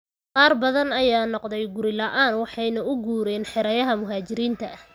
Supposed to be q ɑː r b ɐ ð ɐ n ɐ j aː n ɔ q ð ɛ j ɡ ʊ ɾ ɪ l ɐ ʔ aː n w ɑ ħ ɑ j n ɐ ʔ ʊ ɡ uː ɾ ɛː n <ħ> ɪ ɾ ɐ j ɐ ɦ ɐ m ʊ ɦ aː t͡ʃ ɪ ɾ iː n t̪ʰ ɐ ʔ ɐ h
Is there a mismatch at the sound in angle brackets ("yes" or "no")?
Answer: no